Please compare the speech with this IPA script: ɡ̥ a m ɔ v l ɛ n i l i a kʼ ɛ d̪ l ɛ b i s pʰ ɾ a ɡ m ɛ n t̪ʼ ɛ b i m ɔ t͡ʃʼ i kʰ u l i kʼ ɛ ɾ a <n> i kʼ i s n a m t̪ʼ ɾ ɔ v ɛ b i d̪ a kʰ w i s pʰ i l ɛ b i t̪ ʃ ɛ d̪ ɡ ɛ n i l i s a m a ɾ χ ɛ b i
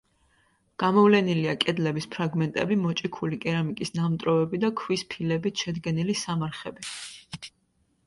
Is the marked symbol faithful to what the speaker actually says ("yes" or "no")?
no